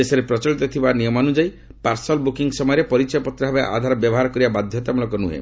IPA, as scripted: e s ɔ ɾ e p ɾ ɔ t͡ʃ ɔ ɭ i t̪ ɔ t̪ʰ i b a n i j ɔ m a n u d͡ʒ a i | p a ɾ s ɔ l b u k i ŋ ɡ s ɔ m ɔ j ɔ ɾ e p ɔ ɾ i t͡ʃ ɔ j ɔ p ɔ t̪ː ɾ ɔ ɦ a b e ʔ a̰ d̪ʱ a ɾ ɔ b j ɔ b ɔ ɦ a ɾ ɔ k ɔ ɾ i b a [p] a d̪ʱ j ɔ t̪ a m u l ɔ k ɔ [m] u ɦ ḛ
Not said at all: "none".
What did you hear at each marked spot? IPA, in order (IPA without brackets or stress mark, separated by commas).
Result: b, n